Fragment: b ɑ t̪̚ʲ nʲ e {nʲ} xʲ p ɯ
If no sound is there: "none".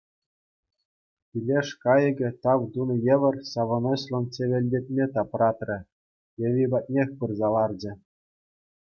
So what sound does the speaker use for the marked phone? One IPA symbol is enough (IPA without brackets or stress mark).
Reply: none